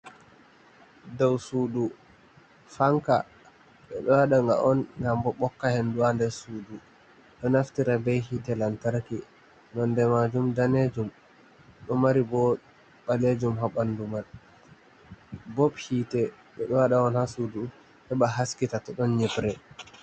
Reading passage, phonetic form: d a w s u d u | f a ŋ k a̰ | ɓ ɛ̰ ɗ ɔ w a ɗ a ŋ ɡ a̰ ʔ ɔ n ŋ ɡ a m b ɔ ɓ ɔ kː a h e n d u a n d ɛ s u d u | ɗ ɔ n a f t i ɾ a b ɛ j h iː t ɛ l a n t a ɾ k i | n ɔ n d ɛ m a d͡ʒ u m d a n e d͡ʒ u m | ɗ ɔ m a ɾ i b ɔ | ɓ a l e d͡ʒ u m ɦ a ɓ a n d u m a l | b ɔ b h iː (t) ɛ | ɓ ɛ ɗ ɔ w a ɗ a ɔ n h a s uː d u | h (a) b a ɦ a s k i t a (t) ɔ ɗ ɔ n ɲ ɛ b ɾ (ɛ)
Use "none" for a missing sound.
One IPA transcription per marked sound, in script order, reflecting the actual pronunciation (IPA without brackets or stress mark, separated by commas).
t, ɛ, t, ɛ